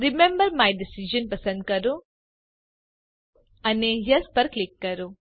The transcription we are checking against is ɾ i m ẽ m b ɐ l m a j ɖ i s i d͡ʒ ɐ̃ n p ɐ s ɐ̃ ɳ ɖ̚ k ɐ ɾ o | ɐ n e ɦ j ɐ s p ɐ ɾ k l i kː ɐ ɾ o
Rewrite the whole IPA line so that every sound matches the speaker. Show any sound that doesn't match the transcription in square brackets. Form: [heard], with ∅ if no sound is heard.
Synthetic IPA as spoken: ɾ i m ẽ m b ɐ [ɾ] m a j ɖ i s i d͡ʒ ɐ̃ n p ɐ s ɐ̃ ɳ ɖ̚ k ɐ ɾ [u] | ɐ n e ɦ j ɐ s p ɐ ɾ k l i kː ɐ ɾ [u]